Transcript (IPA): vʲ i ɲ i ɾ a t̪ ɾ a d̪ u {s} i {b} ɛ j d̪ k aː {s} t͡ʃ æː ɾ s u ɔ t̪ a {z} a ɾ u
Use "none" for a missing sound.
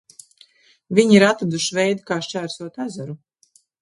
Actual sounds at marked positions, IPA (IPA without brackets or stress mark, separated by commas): ʃ, v, ʃ, z